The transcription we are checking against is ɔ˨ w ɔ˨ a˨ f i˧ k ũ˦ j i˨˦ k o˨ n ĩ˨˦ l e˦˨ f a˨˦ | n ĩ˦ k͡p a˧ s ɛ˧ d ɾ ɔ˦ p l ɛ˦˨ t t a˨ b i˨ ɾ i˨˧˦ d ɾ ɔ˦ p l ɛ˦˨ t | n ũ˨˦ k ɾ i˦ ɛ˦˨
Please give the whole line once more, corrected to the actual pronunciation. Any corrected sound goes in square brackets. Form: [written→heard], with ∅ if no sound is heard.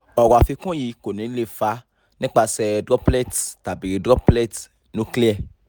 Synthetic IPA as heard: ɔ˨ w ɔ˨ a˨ f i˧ k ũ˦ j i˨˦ k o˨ n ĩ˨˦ l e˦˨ f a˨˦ | n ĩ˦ k͡p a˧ s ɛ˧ d ɾ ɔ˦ p l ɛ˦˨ t t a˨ b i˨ ɾ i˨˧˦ d ɾ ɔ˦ p l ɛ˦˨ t | n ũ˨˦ k [ɾ→l] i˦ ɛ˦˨